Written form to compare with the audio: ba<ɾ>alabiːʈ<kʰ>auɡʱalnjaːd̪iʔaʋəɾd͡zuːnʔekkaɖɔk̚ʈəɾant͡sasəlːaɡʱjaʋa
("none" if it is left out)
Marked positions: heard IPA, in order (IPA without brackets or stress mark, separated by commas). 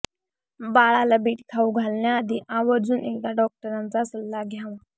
ɭ, kʰ